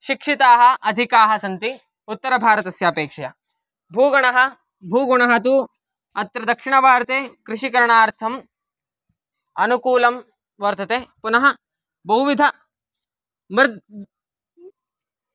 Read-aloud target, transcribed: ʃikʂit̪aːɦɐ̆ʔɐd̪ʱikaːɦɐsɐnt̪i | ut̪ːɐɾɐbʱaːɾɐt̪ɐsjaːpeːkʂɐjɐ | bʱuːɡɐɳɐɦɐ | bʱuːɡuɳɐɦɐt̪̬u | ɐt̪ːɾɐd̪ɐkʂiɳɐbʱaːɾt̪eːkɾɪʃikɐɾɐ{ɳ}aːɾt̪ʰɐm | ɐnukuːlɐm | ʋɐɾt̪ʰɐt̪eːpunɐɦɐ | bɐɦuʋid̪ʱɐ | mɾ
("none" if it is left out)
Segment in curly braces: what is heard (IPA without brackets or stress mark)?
ɳ